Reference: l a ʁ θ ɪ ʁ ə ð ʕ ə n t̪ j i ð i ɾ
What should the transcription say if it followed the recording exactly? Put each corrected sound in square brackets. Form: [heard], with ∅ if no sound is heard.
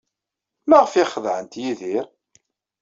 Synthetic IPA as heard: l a ʁ [f] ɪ [χ] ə ð ʕ ə n t̪ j i ð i ɾ